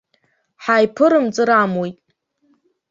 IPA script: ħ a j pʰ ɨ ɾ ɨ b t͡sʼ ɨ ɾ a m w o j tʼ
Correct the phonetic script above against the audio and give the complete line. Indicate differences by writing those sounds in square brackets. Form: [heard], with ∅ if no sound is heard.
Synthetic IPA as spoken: ħ a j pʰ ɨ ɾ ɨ [m] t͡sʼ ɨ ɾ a m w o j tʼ